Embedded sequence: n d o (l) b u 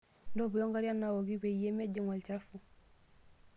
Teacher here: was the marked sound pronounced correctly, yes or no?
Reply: no